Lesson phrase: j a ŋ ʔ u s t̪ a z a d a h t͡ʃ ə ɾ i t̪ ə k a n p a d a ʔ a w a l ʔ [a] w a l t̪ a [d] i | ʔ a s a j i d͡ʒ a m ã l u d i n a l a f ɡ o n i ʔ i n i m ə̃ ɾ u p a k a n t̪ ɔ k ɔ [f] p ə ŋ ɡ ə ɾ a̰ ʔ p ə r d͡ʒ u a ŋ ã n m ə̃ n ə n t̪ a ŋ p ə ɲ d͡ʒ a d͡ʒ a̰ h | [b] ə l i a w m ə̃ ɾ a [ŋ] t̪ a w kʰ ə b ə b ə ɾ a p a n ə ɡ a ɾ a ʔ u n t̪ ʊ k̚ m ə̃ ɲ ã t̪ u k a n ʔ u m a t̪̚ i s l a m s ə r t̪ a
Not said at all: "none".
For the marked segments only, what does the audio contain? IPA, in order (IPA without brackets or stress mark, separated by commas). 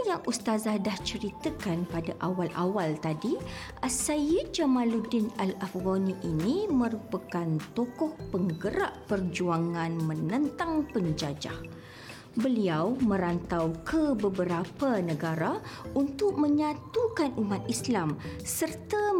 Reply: a, d, h, b, n